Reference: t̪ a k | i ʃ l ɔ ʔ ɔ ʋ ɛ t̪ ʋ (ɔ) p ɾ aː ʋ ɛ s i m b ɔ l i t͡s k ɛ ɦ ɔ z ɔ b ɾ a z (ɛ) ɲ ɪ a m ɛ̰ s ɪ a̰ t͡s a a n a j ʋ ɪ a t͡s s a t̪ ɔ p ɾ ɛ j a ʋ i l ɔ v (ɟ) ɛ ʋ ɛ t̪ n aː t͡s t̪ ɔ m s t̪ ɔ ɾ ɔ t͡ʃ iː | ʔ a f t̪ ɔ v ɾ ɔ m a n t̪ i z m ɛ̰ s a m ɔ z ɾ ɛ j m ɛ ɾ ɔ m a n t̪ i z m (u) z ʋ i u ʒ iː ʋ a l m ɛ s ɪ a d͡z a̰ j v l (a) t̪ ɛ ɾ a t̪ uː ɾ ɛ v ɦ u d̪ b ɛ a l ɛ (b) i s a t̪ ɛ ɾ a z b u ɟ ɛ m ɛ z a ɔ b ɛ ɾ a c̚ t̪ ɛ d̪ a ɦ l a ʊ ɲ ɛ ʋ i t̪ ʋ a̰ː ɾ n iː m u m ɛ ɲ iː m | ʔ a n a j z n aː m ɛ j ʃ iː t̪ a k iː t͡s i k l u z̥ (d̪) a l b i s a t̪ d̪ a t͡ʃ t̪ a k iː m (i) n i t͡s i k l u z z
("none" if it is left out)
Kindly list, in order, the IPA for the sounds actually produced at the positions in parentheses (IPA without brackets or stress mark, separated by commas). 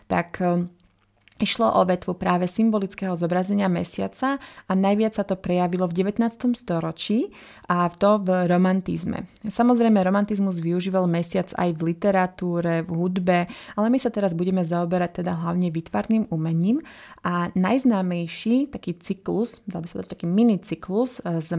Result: u, ɛ, ɟ, u, i, m, d̪, i